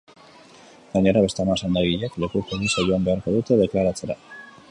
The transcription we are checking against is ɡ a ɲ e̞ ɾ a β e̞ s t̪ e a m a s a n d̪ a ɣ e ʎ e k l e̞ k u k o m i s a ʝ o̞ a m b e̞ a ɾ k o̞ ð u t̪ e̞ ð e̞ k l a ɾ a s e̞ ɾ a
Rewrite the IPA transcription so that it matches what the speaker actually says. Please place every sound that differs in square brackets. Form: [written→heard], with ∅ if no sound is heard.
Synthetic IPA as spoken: ɡ a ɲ e̞ ɾ a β e̞ s t̪ e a m a s a n d̪ a ɣ [e→i] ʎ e k l e̞ k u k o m i s a ʝ o̞ a m b e̞ a ɾ k o̞ ð u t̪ e̞ ð e̞ k l a ɾ a [s→t͡s] e̞ ɾ a